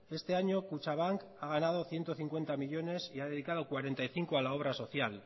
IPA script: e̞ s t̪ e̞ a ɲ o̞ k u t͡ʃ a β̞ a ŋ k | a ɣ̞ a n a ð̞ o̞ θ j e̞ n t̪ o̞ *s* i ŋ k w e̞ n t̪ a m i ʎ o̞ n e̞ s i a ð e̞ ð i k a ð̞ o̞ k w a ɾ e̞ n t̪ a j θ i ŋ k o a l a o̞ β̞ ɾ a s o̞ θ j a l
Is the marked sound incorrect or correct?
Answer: incorrect: θ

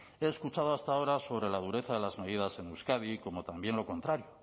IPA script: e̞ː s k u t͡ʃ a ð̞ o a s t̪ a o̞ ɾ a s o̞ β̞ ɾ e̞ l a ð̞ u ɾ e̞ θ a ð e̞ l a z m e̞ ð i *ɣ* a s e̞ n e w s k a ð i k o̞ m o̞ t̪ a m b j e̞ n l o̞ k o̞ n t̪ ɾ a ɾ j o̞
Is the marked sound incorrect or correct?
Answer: incorrect: ð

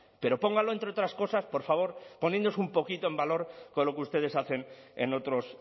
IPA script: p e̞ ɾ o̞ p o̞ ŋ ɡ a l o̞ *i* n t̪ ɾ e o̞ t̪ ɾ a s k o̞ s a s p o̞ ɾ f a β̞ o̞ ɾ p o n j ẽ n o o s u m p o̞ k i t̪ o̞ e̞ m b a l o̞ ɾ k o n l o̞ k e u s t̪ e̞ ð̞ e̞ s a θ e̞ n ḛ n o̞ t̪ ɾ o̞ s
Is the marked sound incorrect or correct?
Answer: incorrect: e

